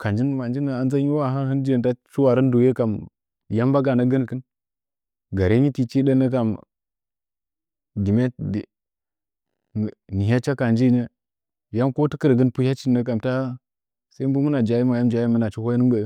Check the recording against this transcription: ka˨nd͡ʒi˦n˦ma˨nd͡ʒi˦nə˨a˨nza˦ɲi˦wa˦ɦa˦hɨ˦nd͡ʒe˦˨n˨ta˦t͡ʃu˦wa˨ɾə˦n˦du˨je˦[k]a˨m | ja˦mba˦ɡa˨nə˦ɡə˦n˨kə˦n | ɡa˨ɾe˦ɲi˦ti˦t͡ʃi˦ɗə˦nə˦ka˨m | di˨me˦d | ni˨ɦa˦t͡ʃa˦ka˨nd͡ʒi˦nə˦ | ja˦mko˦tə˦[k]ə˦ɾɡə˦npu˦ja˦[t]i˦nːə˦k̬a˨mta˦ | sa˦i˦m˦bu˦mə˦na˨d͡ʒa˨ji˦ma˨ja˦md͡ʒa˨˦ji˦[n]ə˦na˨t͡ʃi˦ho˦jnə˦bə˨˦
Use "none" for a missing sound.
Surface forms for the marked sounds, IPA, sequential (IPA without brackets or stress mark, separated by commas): k, k, t͡ʃ, m